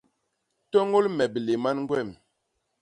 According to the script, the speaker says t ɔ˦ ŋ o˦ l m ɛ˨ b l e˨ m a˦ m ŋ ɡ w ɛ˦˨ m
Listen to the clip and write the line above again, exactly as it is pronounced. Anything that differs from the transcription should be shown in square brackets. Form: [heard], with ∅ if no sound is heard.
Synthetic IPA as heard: t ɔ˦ ŋ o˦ l m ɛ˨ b l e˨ m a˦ [n] ŋ ɡ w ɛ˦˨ m